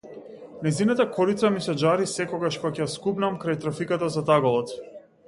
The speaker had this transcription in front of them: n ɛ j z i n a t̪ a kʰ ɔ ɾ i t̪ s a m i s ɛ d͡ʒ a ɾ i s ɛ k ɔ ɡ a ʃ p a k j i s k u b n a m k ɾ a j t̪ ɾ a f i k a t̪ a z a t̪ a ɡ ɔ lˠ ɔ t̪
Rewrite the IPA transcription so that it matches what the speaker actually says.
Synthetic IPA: n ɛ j z i n a t̪ a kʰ ɔ ɾ i t̪ s a m i s ɛ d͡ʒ a ɾ i s ɛ k ɔ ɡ a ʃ p a k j a s k u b n a m k ɾ a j t̪ ɾ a f i k a t̪ a z a t̪ a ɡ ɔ lˠ ɔ t̪